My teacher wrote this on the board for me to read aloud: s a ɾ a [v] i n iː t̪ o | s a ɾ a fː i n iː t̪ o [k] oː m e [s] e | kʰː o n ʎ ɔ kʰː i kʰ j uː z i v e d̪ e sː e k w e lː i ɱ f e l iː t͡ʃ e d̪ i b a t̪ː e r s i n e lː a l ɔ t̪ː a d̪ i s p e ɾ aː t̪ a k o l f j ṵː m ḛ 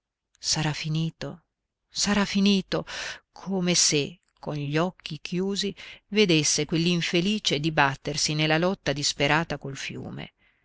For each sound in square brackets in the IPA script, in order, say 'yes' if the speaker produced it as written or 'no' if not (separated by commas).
no, no, yes